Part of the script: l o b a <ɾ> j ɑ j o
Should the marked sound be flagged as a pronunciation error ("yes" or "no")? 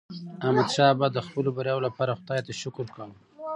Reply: no